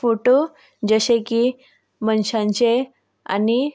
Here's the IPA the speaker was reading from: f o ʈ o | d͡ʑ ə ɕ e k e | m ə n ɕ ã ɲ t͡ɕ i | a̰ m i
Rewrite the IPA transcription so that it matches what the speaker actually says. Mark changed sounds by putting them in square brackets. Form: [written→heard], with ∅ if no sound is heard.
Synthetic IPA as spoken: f o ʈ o | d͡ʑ ə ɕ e k [e→i] | m ə n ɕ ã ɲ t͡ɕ [i→e] | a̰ [m→n] i